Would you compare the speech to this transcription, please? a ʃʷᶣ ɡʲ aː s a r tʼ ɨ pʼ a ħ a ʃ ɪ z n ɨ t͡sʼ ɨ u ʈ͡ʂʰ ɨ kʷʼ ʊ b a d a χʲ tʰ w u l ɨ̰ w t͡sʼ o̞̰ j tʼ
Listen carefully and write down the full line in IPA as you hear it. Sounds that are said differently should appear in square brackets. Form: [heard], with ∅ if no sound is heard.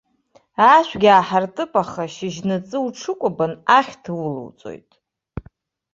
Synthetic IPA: a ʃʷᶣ ɡʲ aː [ħ] a r tʼ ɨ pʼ a [χ] a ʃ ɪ [ʒ] n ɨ t͡sʼ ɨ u ʈ͡ʂʰ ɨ kʷʼ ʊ b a [n] a χʲ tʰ w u l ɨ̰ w t͡sʼ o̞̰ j tʼ